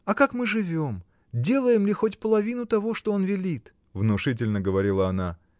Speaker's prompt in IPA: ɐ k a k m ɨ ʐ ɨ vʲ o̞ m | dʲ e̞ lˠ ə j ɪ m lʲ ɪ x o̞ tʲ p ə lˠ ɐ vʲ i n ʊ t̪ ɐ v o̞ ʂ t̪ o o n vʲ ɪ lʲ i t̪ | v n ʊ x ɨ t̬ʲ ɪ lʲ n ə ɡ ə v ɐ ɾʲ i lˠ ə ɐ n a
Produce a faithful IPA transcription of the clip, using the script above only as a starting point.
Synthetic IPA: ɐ k a k m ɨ ʐ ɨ vʲ o̞ m | dʲ e̞ lˠ ə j ɪ m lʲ ɪ x o̞ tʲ p ə lˠ ɐ vʲ i n ʊ t̪ ɐ v o̞ ʂ t̪ o o n vʲ ɪ lʲ i t̪ | v n ʊ ʂ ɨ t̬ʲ ɪ lʲ n ə ɡ ə v ɐ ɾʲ i lˠ ə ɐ n a